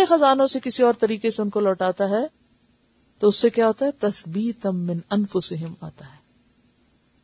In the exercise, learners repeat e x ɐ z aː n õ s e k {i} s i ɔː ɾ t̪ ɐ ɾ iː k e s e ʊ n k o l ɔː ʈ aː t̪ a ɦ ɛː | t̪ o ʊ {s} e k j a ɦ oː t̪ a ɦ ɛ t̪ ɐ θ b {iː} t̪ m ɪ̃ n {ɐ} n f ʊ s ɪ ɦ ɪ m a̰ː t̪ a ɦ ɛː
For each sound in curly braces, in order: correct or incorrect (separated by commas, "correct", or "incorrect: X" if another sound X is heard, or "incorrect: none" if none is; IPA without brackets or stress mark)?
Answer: incorrect: ɪ, incorrect: sː, correct, correct